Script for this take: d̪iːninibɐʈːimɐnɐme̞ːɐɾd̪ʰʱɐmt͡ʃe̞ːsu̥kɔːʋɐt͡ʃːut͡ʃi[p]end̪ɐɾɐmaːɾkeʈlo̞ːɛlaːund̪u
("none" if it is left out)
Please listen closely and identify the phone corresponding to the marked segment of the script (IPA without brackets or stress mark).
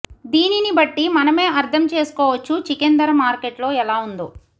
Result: k